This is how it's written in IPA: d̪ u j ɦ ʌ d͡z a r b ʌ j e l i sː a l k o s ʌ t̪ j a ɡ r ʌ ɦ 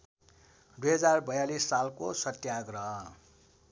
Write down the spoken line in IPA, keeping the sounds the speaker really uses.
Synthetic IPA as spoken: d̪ u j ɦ ʌ d͡z a r b ʌ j a l i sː a l k o s ʌ t̪ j a ɡ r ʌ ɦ